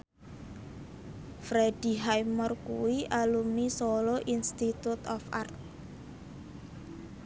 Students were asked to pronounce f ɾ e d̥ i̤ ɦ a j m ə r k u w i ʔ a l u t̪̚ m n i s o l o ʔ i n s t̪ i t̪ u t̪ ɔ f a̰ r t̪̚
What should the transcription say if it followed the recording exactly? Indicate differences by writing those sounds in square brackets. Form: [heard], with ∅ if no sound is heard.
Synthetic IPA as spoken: f ɾ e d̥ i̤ ɦ a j m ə r k u w i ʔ a l u [∅] m n i s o l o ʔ i n s t̪ i t̪ u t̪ ɔ f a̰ r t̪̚